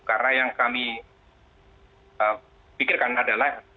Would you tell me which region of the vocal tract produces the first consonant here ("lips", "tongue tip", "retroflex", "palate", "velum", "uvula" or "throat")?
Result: velum